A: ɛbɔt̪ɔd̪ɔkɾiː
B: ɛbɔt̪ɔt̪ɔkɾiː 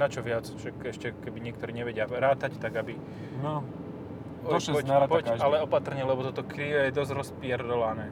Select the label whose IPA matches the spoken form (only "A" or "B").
B